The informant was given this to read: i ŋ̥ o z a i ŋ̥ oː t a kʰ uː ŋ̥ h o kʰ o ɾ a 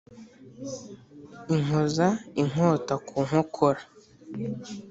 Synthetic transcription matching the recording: i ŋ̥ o z a i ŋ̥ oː t a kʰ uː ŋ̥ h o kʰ o ɾ a